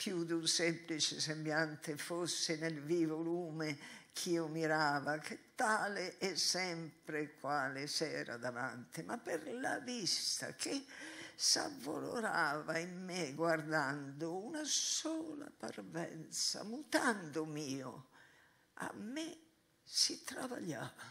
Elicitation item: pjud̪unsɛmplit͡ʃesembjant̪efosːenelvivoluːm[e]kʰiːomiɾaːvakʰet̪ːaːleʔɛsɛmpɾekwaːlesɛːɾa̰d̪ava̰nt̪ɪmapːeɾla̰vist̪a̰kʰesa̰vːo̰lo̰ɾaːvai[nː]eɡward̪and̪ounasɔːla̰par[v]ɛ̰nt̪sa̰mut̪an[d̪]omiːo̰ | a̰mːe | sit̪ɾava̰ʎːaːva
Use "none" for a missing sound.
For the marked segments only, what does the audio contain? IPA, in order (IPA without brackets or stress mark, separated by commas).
e, mː, v, d̪